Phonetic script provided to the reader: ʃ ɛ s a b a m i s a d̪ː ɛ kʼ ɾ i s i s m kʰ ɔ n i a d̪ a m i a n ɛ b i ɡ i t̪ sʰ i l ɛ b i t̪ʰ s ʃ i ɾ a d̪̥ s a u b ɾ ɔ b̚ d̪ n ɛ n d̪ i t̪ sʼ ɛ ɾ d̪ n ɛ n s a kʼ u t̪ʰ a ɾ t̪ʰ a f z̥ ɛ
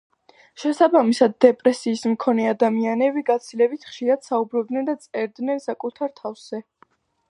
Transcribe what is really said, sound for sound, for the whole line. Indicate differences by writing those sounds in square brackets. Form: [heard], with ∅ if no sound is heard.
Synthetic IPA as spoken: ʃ ɛ s a b a m i s a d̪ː ɛ [pʼ] ɾ [ɛ] s [iː] s m kʰ ɔ n [ɛ] a d̪ a m i a n ɛ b i ɡ [a] t̪ sʰ i l ɛ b i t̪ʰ [χ] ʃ i ɾ a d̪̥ s a u b ɾ ɔ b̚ d̪ n ɛ n d̪ [a] t̪ sʼ ɛ ɾ d̪ n ɛ n s a kʼ u t̪ʰ a ɾ t̪ʰ a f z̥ ɛ